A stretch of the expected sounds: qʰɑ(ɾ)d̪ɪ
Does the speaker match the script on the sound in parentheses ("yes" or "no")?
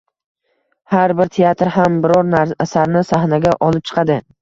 no